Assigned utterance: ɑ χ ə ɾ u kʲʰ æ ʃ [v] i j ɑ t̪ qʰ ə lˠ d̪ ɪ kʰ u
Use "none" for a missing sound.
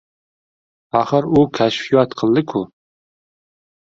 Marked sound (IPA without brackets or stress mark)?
f